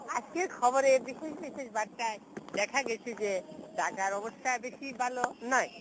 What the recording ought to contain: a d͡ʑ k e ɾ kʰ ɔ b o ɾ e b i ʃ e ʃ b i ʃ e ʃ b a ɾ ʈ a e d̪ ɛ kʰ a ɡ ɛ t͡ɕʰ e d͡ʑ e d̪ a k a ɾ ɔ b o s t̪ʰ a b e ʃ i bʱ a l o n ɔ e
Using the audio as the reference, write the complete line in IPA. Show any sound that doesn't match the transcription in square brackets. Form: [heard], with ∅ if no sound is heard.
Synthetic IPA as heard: a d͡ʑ k e ɾ kʰ ɔ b o ɾ e b i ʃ e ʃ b i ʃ e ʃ b a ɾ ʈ a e d̪ ɛ kʰ a ɡ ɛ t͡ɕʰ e d͡ʑ e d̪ a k a ɾ ɔ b o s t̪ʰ a b e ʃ i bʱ a l o n ɔ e